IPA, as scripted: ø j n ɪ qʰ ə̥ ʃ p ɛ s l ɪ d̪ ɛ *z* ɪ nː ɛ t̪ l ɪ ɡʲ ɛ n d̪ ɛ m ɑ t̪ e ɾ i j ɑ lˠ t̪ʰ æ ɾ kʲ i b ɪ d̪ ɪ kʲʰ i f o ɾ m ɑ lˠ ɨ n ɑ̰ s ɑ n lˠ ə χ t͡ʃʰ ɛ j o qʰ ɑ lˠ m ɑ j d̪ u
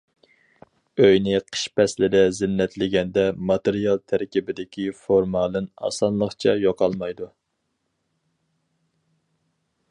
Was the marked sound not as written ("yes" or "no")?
no